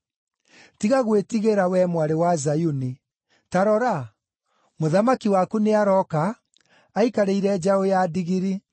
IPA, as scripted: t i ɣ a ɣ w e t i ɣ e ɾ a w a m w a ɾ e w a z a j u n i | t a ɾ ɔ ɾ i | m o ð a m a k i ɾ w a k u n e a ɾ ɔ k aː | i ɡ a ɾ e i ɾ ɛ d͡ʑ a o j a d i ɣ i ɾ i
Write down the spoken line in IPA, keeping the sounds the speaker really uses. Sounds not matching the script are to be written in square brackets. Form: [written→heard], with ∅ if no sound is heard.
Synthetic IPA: t i ɣ a ɣ w e t i ɣ e ɾ a w [a→ɛ] m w a ɾ e w a z a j u n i | t a ɾ ɔ ɾ [i→a] | m o ð a m a k i [ɾ→∅] w a k u n e a ɾ ɔ k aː | i [ɡ→k] a ɾ e i ɾ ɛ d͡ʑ a o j a d i ɣ i ɾ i